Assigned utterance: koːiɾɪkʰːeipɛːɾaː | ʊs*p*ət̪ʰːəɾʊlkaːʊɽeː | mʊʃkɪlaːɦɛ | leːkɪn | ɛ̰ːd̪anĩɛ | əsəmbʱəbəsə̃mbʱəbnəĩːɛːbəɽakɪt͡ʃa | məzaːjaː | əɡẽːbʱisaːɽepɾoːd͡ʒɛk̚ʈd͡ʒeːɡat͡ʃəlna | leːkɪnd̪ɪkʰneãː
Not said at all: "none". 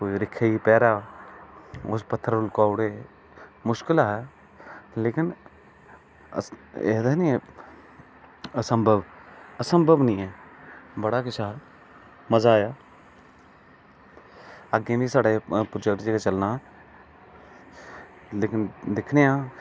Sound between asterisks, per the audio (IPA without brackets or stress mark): p